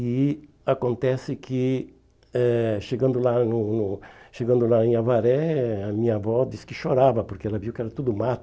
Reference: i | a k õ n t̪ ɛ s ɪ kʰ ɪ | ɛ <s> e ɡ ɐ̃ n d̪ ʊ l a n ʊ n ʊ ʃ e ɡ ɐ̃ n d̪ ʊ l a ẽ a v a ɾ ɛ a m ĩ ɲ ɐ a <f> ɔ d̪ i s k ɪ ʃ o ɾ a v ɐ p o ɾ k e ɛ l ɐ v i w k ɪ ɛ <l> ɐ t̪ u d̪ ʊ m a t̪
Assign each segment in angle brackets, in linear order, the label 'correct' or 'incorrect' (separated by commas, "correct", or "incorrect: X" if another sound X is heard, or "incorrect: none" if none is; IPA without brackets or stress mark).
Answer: incorrect: ʃ, incorrect: v, incorrect: ɾ